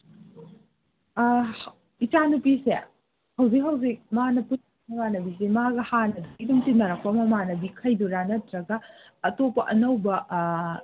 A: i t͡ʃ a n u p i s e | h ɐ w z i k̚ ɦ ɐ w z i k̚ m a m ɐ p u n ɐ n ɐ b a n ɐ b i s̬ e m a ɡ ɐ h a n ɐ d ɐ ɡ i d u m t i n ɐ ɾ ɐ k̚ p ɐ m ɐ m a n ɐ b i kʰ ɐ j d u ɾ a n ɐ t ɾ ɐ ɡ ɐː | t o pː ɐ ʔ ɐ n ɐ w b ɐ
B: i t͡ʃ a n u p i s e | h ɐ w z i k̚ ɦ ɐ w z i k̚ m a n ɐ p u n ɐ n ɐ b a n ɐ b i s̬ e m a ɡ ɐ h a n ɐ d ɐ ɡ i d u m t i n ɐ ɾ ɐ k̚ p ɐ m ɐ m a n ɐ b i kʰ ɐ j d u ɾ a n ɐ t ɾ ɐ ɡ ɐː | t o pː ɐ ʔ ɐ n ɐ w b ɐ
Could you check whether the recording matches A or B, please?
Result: B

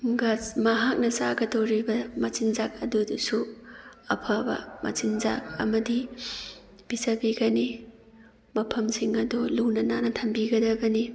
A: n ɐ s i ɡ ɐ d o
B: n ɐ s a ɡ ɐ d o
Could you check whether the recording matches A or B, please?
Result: B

